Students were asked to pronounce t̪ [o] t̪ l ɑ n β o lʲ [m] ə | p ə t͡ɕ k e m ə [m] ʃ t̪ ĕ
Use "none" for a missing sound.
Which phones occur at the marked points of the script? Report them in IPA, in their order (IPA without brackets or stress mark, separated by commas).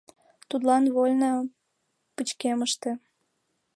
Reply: u, n, none